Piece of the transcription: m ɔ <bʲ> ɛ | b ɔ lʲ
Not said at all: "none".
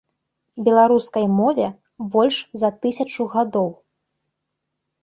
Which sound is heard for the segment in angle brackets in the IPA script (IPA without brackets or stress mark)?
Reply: vʲ